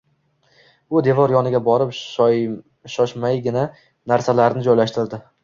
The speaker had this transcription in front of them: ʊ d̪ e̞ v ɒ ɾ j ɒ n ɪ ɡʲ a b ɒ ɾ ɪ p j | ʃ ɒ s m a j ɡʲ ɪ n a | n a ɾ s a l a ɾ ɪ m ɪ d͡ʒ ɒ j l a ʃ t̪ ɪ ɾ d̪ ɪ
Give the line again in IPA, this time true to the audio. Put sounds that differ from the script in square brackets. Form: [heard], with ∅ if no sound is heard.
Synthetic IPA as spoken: ʊ d̪ e̞ v ɒ ɾ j ɒ n ɪ ɡʲ a b ɒ ɾ ɪ p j | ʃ ɒ [ʃ] m a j ɡʲ ɪ n a | n a ɾ s a l a ɾ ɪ [n] ɪ d͡ʒ ɒ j l a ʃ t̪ ɪ ɾ d̪ ɪ